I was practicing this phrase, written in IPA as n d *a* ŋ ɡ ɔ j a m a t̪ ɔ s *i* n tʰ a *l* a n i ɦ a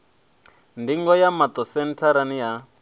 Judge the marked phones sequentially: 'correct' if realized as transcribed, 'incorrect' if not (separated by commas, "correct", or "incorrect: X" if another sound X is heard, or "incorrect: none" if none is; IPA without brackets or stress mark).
incorrect: i, incorrect: ɛ, incorrect: ɾ